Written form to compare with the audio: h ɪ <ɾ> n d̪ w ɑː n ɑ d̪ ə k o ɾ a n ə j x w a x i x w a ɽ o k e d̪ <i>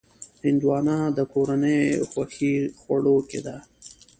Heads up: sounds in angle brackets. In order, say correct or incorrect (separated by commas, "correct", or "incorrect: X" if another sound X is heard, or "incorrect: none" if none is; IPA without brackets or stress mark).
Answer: incorrect: none, incorrect: a